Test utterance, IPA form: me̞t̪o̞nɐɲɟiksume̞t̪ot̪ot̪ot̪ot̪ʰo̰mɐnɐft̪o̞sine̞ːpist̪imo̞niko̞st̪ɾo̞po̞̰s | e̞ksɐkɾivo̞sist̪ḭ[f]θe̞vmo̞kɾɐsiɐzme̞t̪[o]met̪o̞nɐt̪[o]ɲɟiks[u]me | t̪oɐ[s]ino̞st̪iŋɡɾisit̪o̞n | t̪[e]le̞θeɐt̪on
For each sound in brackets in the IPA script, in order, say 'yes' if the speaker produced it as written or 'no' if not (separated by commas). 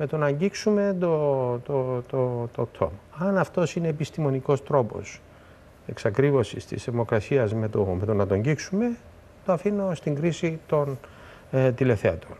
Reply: no, yes, yes, yes, no, no